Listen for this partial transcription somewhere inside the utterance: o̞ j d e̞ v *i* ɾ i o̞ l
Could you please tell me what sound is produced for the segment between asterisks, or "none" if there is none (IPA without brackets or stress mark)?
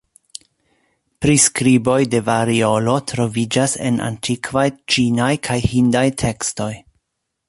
a